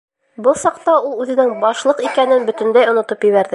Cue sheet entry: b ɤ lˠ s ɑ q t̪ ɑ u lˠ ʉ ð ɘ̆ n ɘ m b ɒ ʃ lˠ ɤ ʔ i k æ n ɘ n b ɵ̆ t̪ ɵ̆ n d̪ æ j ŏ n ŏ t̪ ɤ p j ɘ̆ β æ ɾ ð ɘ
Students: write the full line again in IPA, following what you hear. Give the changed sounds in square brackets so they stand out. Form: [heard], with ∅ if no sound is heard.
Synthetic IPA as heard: b ɤ lˠ s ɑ q t̪ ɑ u lˠ ʉ ð ɘ̆ n ɘ [ŋ] b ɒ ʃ lˠ ɤ [q] i k æ n ɘ n b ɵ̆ t̪ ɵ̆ n d̪ æ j ŏ n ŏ t̪ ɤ p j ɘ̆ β æ ɾ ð ɘ